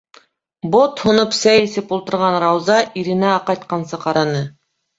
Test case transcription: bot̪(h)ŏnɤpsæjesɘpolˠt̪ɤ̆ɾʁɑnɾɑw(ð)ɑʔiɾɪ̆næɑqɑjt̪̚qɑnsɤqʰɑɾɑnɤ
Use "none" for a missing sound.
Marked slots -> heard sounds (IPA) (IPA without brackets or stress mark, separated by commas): h, z